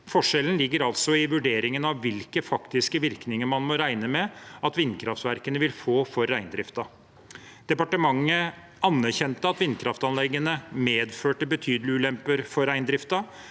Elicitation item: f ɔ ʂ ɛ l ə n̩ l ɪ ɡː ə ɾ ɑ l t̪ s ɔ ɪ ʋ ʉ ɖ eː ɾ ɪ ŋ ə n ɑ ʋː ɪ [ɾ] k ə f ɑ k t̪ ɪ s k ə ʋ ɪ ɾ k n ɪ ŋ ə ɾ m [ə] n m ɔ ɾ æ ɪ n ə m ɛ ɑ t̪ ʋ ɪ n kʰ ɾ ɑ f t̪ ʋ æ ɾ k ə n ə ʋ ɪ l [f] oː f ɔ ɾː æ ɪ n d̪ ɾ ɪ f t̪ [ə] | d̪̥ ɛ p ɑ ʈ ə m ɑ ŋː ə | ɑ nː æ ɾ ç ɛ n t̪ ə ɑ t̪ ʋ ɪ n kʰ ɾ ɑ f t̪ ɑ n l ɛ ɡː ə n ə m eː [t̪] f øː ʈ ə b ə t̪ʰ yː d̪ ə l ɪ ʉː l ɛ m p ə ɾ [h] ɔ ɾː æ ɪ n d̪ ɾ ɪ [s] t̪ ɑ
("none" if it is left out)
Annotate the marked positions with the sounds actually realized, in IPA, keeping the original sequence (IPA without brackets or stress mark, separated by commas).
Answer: l, ɑ, f, ɑ, d̪, f, f